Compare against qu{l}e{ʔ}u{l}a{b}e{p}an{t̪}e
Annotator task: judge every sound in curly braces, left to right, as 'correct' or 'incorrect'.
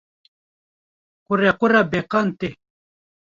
incorrect: ɾ, incorrect: q, incorrect: ɾ, correct, incorrect: q, correct

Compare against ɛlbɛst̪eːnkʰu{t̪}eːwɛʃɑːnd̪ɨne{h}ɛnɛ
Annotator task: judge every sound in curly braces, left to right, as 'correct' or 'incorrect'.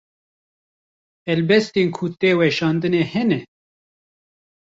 correct, correct

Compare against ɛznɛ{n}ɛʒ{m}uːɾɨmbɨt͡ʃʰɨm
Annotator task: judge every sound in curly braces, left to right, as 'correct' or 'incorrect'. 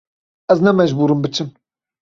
incorrect: m, incorrect: b

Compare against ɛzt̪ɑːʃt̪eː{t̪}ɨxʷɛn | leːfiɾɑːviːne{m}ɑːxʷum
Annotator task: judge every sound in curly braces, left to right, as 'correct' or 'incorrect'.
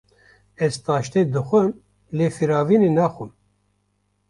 incorrect: d̪, incorrect: n

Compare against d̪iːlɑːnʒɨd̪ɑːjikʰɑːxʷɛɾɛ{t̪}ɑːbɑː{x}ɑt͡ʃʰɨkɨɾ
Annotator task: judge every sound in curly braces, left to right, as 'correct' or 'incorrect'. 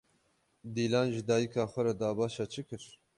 incorrect: d̪, incorrect: ʃ

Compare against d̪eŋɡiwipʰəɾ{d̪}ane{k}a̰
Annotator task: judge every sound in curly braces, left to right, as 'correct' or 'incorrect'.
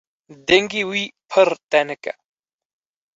incorrect: t̪, correct

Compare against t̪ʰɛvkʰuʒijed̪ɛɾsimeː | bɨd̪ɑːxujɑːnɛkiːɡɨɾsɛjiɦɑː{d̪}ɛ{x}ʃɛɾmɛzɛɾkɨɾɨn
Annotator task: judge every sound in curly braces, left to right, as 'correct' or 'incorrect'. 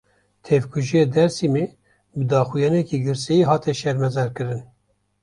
incorrect: t̪, incorrect: none

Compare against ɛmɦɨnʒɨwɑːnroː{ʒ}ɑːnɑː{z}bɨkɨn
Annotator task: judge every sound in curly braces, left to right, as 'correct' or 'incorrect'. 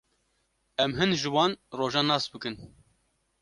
correct, incorrect: s

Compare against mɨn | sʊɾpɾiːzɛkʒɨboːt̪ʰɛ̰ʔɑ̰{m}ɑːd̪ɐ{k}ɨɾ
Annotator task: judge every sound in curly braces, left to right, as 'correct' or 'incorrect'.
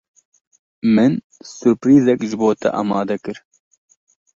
correct, correct

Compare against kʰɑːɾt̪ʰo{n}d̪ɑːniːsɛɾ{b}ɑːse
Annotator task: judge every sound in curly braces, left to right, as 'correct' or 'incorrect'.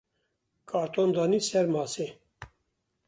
correct, incorrect: m

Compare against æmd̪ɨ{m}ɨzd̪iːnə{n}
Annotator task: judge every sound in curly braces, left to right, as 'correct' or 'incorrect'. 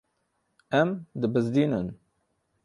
incorrect: b, correct

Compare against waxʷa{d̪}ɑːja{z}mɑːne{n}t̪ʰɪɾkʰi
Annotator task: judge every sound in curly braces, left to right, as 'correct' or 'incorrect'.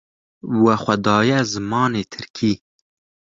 correct, correct, incorrect: none

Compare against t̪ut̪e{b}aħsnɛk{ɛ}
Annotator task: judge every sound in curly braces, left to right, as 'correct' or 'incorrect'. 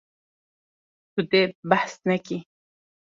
correct, incorrect: i

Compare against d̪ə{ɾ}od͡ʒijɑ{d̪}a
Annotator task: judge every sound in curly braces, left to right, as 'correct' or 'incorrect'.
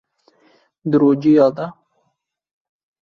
correct, correct

